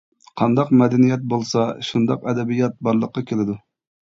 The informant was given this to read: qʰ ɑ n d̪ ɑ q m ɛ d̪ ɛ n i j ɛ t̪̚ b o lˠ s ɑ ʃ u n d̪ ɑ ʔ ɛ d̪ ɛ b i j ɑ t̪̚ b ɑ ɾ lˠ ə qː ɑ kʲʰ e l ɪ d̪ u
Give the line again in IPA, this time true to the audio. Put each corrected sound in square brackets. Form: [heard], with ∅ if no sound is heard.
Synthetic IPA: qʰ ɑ n d̪ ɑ q m ɛ d̪ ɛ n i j ɛ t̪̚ b o lˠ s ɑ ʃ u n d̪ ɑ [q] ɛ d̪ ɛ b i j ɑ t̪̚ b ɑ ɾ lˠ ə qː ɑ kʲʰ e l ɪ d̪ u